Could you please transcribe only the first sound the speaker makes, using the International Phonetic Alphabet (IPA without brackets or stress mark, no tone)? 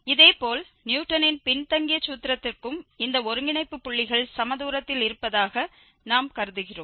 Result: ɪ